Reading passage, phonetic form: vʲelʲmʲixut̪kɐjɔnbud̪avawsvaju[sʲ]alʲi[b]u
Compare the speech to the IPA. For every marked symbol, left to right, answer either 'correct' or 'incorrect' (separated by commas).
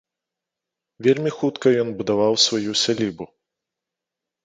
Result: correct, correct